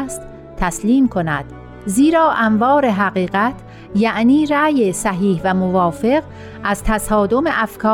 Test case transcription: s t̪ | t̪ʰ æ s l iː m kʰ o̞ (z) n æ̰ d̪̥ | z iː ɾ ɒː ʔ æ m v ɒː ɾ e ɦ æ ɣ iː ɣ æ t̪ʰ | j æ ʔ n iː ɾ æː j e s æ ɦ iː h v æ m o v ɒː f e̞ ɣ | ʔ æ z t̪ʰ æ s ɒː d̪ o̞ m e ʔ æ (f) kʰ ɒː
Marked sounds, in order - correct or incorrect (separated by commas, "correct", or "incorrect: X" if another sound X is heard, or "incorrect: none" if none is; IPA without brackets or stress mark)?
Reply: incorrect: none, correct